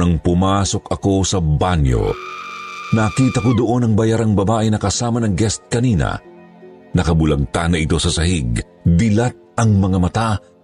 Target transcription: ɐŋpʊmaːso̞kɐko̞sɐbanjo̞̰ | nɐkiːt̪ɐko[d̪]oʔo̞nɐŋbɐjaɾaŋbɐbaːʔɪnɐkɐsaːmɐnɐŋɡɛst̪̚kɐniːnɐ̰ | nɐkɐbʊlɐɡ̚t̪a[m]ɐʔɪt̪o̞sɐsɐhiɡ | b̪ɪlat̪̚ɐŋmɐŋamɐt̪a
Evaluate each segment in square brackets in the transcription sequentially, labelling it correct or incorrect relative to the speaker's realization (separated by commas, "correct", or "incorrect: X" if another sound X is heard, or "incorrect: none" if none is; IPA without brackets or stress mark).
correct, incorrect: n